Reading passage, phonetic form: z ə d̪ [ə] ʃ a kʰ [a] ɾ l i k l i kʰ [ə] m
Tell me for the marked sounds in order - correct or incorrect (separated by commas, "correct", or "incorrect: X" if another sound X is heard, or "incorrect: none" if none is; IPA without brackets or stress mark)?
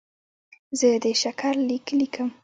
correct, correct, correct